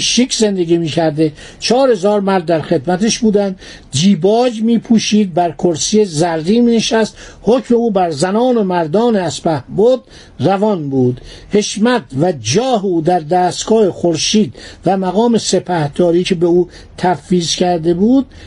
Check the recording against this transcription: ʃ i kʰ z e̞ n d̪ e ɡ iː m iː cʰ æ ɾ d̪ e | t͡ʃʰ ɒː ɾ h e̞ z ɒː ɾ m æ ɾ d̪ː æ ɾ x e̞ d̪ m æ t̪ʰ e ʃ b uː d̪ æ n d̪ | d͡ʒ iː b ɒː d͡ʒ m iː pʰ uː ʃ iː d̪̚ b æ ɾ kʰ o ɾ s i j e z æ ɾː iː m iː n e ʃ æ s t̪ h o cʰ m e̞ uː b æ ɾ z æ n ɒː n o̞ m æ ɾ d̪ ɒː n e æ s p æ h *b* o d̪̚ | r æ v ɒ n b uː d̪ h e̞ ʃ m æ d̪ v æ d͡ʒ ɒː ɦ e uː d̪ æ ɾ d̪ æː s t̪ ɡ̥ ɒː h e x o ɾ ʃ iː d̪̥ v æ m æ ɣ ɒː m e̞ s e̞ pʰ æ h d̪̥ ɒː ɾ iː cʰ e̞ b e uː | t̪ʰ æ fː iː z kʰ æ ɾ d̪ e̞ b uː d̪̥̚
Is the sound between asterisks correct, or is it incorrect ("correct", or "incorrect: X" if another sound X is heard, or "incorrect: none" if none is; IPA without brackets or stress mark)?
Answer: correct